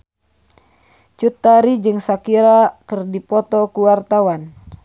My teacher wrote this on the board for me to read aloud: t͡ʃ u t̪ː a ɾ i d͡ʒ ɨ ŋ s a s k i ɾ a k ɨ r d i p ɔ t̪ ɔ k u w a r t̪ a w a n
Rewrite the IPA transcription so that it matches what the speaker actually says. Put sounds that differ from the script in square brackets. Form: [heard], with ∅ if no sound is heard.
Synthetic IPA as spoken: t͡ʃ u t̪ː a ɾ i d͡ʒ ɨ ŋ s a [∅] k i ɾ a k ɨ r d i p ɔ t̪ ɔ k u w a r t̪ a w a n